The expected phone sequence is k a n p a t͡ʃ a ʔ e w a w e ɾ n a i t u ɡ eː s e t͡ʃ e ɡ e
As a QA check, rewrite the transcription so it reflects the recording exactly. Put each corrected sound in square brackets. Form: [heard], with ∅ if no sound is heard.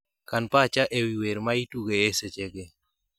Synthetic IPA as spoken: k a n p a t͡ʃ a ʔ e w [i] w e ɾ [m] a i t u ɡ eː s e t͡ʃ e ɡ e

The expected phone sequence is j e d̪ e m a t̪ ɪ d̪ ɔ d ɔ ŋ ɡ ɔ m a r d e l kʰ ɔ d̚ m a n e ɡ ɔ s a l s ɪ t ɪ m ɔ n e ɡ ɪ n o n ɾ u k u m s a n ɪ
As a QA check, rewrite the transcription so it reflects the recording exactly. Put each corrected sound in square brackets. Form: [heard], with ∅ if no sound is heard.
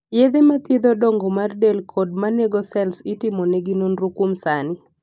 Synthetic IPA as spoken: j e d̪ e m a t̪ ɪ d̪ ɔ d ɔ ŋ ɡ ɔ m a r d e l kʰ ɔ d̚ m a n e ɡ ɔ s [ɛ] l s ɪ t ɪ m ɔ n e ɡ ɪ n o n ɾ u k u m s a n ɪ

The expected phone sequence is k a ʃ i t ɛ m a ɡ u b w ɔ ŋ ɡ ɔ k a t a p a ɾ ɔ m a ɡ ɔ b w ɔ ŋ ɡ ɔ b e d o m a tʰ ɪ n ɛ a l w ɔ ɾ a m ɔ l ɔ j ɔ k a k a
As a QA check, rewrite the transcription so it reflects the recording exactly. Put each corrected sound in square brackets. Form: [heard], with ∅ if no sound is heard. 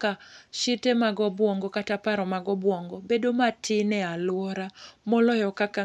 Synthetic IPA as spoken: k a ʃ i t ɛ m a ɡ [ɔ] b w ɔ ŋ ɡ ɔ k a t a p a ɾ ɔ m a ɡ ɔ b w ɔ ŋ ɡ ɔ b e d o m a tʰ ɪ n ɛ a l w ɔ ɾ a m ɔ l ɔ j ɔ k a k a

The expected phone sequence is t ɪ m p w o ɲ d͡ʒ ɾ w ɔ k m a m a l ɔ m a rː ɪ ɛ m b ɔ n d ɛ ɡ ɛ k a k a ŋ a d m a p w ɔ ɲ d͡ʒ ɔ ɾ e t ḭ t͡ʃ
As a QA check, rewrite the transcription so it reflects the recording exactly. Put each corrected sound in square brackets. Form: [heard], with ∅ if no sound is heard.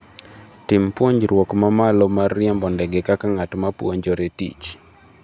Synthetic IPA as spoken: t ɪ m p w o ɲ d͡ʒ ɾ w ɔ k m a m a l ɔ m a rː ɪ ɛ m b ɔ n d ɛ ɡ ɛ k a k a ŋ a [t] m a p w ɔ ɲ d͡ʒ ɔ ɾ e t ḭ t͡ʃ

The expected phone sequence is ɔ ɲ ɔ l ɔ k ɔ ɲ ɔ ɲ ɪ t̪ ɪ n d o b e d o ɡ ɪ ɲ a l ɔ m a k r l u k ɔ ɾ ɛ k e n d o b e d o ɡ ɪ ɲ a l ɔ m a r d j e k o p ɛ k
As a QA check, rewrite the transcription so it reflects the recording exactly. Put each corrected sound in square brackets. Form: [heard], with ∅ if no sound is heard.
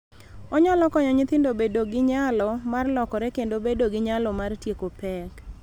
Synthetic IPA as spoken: ɔ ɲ ɔ l ɔ k ɔ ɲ ɔ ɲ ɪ t̪ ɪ n d o b e d o ɡ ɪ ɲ a l ɔ m a [∅] r l [ɔ] k ɔ ɾ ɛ k e n d o b e d o ɡ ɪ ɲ a l ɔ m a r [t] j e k o p ɛ k

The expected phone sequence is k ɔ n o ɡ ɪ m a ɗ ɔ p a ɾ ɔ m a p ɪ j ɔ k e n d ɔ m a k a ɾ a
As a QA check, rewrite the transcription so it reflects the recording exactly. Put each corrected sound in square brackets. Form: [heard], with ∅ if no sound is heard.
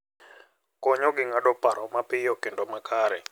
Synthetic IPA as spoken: k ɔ [ɲ] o ɡ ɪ [ŋ] a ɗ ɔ p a ɾ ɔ m a p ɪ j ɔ k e n d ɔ m a k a ɾ [ɛ]

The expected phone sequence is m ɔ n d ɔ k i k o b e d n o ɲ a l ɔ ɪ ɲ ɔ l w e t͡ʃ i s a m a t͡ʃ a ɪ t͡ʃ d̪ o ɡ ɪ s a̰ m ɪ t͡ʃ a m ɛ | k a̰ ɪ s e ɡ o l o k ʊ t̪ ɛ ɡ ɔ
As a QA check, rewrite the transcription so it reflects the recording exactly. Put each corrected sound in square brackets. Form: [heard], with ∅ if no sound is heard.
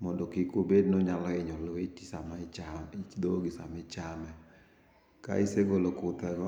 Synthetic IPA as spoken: m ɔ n d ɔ k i k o b e d n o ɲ a l ɔ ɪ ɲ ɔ l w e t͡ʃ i s a m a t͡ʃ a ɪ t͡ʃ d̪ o ɡ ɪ s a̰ m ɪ t͡ʃ a m ɛ | k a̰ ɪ s e ɡ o l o k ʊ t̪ ɛ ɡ ɔ

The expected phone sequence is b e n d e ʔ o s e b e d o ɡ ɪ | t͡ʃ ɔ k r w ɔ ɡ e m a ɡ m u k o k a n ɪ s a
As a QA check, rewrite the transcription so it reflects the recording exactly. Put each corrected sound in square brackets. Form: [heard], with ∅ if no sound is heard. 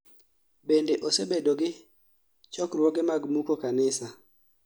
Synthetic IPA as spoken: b e n d e ʔ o s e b e d o ɡ ɪ | t͡ʃ ɔ k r w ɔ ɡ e m a ɡ m u k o k a n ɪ s a

